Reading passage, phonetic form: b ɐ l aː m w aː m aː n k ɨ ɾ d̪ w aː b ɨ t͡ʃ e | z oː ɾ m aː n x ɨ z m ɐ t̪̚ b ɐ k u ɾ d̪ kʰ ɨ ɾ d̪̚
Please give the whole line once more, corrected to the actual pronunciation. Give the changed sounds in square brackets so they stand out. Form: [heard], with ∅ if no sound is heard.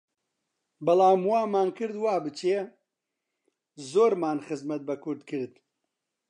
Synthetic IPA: b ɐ l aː m w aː m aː n k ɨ ɾ d̪ w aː b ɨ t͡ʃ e | z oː ɾ m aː n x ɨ z m ɐ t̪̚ b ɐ k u ɾ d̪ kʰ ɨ ɾ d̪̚